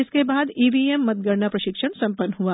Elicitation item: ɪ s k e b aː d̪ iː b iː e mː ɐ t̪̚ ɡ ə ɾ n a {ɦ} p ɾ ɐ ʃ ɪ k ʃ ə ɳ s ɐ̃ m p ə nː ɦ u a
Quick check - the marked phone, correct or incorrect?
incorrect: none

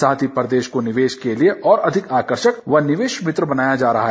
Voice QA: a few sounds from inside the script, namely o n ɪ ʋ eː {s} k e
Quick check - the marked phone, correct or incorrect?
incorrect: ʃ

